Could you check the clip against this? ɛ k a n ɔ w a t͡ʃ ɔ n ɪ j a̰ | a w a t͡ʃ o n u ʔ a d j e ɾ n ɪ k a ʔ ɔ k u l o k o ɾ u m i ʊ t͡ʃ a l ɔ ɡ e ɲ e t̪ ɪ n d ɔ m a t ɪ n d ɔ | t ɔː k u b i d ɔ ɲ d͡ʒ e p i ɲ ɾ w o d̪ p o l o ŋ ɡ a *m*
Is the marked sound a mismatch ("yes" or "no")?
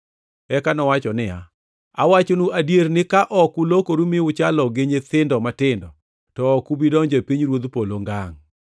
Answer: yes